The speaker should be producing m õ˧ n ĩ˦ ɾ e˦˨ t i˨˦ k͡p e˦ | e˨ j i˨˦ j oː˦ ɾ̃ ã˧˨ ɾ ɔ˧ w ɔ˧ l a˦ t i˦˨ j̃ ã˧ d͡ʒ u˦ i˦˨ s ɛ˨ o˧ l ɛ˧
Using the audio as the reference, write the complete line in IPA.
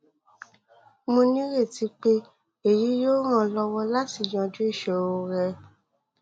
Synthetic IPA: m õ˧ n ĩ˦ ɾ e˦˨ t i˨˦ k͡p e˦ | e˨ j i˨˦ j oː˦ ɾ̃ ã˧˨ l ɔ˧ w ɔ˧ l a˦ t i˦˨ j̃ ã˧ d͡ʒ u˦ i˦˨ ʃ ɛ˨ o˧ ɾ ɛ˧